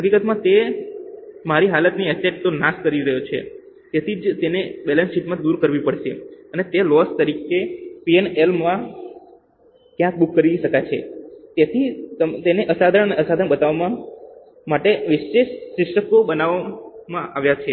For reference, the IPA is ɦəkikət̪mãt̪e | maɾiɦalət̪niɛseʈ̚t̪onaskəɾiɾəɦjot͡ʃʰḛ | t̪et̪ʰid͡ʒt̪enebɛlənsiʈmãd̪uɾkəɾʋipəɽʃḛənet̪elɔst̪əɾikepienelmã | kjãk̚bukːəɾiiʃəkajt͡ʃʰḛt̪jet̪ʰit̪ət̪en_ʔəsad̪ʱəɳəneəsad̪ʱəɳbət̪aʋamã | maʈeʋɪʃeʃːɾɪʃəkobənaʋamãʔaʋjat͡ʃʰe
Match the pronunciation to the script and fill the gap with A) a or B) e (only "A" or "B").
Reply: B